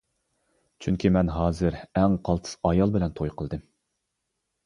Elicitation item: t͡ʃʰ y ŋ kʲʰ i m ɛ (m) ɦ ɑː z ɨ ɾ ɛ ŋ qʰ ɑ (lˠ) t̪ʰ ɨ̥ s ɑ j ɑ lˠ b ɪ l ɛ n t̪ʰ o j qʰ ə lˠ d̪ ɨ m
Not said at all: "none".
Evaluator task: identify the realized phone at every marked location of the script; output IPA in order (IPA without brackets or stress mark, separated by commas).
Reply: n, lˠ